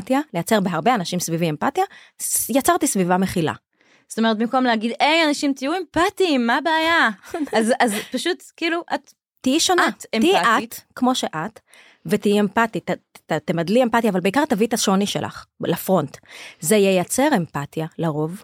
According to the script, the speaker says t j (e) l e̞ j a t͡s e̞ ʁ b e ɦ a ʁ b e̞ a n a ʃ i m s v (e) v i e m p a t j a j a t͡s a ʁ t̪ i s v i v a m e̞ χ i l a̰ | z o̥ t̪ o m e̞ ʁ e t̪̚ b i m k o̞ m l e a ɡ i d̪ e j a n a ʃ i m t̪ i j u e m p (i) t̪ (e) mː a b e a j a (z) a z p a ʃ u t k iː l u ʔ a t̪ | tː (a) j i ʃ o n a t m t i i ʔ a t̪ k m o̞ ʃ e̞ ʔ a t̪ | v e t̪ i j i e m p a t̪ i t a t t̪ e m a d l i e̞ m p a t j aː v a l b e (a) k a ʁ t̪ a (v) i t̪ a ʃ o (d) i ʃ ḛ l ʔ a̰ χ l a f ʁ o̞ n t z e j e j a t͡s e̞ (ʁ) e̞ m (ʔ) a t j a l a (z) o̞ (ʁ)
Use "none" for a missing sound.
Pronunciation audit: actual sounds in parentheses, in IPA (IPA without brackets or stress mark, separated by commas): a, i, a, i, z, i, i, v, n, ʁ, p, ʁ, v